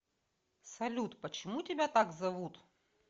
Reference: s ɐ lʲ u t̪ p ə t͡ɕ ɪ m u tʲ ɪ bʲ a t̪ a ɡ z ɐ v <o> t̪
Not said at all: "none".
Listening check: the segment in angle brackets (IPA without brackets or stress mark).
u